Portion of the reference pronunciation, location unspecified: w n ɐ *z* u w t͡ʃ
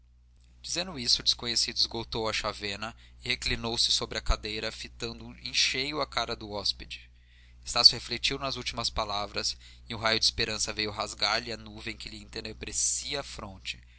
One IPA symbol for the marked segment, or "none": z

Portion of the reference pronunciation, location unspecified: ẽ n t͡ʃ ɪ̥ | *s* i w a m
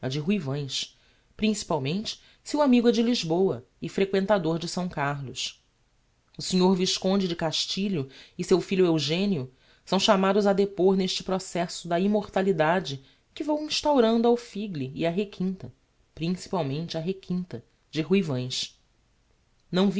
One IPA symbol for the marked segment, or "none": s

